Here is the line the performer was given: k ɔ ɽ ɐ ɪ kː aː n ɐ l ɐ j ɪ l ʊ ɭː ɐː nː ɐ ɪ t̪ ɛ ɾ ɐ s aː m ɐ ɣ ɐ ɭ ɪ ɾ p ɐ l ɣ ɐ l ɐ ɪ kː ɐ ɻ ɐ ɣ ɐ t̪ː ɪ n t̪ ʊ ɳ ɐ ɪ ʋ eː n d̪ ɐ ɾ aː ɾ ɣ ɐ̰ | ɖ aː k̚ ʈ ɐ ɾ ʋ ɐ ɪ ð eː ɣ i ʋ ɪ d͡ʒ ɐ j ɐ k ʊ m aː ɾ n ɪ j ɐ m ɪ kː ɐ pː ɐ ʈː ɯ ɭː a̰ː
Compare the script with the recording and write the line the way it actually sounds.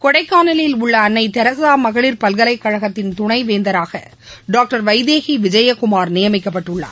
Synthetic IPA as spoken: k ɔ ɽ ɐ ɪ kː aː n ɐ l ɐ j ɪ l ʊ ɭː ɐː nː ɐ ɪ t̪ ɛ ɾ ɐ s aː m ɐ ɣ ɐ ɭ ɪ ɾ p ɐ l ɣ ɐ l ɐ ɪ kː ɐ ɻ ɐ ɣ ɐ t̪ː ɪ n t̪ ʊ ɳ ɐ ɪ ʋ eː n d̪ ɐ ɾ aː ɣ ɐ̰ | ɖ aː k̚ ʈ ɐ ɾ ʋ ɐ ɪ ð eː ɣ i ʋ ɪ d͡ʒ ɐ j ɐ k ʊ m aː ɾ n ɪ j ɐ m ɪ kː ɐ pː ɐ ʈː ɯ ɭː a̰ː

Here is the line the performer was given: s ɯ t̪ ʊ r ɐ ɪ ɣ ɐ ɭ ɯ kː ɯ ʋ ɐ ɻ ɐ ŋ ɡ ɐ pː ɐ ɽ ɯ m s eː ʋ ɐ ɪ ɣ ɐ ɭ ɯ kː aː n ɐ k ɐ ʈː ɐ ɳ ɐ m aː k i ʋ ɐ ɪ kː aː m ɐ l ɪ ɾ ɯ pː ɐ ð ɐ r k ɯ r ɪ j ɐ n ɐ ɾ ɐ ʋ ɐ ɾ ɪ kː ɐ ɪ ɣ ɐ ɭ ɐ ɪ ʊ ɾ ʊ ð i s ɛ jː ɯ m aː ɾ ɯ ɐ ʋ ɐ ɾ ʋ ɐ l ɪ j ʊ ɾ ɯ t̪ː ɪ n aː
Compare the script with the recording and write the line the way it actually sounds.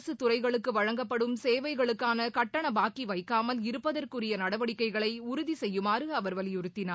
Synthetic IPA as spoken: s ɯ t̪ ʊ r ɐ ɪ ɣ ɐ ɭ ɯ kː ɯ ʋ ɐ ɻ ɐ ŋ ɡ ɐ pː ɐ ɽ ɯ m s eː ʋ ɐ ɪ ɣ ɐ ɭ ɯ kː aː n ɐ k ɐ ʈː ɐ ɳ ɐ b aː k i ʋ ɐ ɪ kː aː m ɐ l ɪ ɾ ɯ pː ɐ ð ɐ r k ɯ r ɪ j ɐ n ɐ ɽ ɐ ʋ ɐ ɽ ɪ kː ɐ ɪ ɣ ɐ ɭ ɐ ɪ ʊ ɾ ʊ ð i s ɛ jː ɯ m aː ɾ ɯ ɐ ʋ ɐ ɾ ʋ ɐ l ɪ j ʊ ɾ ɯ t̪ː ɪ n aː

